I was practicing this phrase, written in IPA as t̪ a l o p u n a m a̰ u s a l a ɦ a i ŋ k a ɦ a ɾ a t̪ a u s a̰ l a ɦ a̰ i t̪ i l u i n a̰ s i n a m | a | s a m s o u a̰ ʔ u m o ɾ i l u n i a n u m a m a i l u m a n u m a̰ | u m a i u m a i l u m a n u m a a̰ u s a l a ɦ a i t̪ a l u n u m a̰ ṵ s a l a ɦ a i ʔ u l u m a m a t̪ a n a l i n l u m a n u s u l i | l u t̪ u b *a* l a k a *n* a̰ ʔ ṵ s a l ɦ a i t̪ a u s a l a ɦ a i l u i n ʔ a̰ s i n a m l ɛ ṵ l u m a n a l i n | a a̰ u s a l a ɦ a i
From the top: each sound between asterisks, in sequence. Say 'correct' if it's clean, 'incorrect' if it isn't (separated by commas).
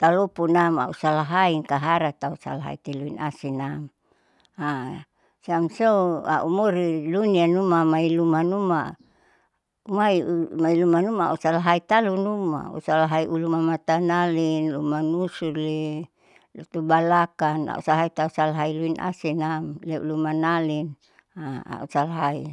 correct, correct